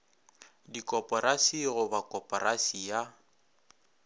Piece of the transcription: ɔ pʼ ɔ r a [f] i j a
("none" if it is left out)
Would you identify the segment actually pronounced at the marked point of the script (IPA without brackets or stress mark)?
s